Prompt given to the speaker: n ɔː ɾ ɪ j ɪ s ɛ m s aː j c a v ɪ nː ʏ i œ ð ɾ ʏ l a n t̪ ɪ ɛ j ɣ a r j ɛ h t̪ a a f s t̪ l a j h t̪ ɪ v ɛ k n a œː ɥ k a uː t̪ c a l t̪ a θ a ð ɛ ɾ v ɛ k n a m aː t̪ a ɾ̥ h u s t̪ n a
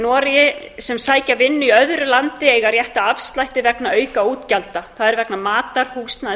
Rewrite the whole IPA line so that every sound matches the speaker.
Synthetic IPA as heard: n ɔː ɾ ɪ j ɪ s ɛ m s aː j c a v ɪ nː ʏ i œ ð ɾ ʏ l a n t̪ ɪ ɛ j ɣ a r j ɛ h t̪ a a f s t̪ l a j h t̪ ɪ v ɛ k n a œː ɥ k a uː t̪ c a l t̪ a θ a ð ɛ ɾ v ɛ k n a m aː t̪ a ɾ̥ h u s t̪ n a